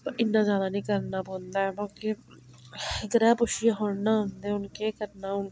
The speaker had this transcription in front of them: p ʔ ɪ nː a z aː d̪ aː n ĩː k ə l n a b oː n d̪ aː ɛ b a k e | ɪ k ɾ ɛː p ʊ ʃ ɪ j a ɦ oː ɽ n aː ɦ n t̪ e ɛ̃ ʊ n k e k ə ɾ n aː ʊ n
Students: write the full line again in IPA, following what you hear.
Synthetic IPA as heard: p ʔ ɪ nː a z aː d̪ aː n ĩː k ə ɾ n a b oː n d̪ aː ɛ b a k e | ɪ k ɾ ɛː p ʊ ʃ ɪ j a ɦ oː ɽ n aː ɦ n d̪ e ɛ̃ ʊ n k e k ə ɾ n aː ʊ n